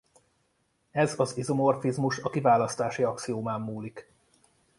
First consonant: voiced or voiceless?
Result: voiced